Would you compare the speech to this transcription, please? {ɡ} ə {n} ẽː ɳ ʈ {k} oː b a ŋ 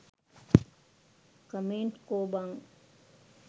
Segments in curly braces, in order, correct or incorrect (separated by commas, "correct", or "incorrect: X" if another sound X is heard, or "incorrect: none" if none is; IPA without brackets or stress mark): incorrect: k, incorrect: m, correct